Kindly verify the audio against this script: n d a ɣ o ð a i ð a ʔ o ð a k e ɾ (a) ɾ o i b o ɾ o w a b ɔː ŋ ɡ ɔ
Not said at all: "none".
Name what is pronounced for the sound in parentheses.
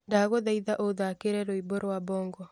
ɛ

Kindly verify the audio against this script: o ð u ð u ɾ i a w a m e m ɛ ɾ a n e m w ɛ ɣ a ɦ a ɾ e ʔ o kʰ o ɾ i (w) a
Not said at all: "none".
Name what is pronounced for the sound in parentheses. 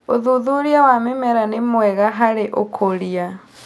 none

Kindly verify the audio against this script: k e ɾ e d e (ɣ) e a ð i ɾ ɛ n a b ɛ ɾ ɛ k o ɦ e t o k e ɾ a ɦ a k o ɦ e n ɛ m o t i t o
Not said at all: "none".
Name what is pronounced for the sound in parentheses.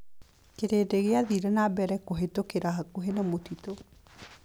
ɣ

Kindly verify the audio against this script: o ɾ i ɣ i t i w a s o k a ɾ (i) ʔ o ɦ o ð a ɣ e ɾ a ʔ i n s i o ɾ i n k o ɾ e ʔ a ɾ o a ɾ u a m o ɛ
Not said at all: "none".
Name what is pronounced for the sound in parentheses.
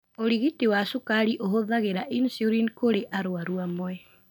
i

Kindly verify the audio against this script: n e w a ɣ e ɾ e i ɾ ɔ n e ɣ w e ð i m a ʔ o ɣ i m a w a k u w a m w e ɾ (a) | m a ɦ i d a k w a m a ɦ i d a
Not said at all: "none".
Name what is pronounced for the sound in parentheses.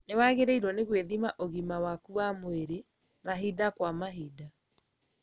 e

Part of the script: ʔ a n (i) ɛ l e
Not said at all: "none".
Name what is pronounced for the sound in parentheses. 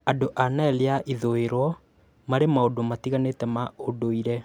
a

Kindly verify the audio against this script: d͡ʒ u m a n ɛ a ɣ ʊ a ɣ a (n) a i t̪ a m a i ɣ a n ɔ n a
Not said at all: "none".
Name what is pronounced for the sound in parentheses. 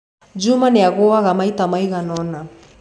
m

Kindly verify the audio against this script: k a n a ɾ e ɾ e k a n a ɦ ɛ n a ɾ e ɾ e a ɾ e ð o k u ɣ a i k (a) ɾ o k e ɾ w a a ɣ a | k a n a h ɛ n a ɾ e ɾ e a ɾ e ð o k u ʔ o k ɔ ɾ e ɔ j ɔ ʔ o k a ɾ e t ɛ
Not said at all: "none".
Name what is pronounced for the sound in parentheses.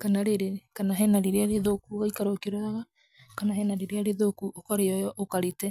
a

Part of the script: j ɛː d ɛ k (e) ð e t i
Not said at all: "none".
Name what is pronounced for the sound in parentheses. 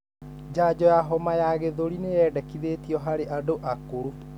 i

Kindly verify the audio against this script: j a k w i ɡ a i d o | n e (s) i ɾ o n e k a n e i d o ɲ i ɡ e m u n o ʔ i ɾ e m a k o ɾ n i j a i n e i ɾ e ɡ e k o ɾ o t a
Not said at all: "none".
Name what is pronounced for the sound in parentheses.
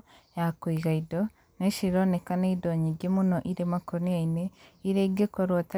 ʃ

